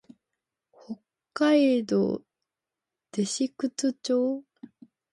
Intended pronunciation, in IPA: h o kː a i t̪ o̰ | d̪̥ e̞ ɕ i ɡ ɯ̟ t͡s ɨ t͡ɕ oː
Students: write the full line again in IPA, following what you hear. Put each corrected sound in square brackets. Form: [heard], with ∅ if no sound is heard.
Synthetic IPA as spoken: h o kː a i [d̪] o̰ | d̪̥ e̞ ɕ i [k] ɯ̟ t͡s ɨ t͡ɕ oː